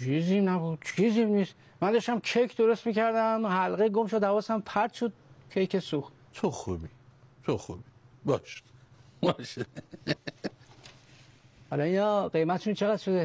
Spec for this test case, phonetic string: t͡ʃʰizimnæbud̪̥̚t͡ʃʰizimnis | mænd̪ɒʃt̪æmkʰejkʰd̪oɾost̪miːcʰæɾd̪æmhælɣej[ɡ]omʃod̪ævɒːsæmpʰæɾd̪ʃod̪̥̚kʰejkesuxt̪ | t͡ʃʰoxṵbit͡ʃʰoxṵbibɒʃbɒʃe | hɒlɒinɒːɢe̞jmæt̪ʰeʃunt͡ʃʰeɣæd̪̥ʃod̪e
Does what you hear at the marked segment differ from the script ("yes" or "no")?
no